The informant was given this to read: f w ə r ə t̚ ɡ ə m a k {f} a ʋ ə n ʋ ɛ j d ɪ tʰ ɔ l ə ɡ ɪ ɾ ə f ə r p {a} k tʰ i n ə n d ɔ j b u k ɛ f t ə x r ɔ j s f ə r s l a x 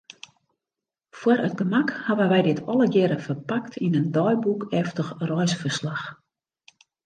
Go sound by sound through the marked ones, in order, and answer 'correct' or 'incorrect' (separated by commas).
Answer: incorrect, correct